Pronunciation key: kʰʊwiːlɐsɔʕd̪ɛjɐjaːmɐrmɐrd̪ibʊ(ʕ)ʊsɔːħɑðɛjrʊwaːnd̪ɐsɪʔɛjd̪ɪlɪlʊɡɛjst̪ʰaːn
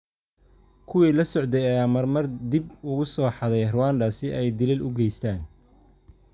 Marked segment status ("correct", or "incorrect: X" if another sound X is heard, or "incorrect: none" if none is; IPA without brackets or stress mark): incorrect: ɣ